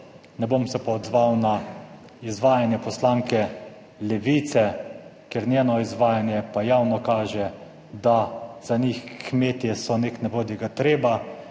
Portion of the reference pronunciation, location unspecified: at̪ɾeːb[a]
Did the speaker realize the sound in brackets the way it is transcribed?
yes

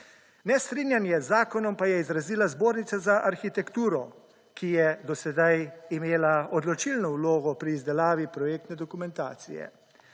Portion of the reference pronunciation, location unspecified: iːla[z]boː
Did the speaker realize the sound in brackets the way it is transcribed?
yes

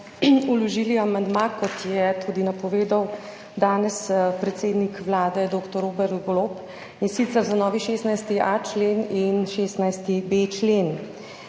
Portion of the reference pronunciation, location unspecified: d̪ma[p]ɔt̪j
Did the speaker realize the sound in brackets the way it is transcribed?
no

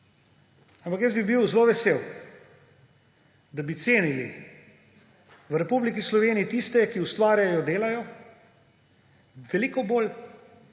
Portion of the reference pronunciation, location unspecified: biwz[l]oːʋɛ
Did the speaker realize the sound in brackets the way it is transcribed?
yes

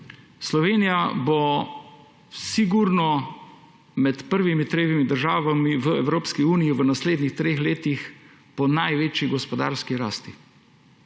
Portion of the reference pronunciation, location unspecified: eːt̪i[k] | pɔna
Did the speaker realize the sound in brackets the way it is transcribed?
no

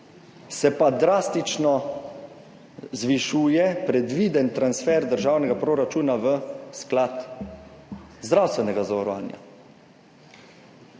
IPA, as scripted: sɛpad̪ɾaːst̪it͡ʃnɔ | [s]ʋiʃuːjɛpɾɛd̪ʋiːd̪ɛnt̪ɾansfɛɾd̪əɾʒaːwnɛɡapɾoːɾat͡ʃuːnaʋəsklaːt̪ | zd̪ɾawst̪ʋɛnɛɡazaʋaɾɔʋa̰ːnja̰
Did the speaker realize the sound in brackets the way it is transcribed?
no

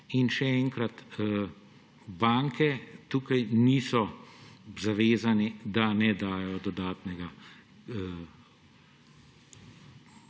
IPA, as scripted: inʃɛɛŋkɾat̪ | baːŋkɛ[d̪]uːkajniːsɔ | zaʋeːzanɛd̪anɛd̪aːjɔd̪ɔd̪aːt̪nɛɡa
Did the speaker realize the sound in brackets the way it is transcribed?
no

